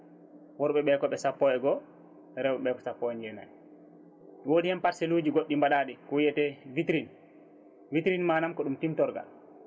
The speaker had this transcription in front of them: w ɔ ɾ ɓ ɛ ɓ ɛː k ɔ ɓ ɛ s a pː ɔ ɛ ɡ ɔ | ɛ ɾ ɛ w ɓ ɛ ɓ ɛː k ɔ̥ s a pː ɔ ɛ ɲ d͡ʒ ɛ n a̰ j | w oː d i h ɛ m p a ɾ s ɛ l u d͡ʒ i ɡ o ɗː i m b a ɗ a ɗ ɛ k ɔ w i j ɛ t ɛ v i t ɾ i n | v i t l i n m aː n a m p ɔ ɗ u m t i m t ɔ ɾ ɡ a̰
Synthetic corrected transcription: w ɔ ɾ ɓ ɛ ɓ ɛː k ɔ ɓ ɛ s a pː ɔ ɛ ɡ ɔ | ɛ ɾ ɛ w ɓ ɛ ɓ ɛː k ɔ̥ s a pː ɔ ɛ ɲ d͡ʒ ɛ n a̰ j | w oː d i h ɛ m p a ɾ s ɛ l u d͡ʒ i ɡ o ɗː i m b a ɗ a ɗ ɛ k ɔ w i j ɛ t ɛ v i t ɾ i n | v i t ɾ i n m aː n a m k ɔ ɗ u m t i m t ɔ ɾ ɡ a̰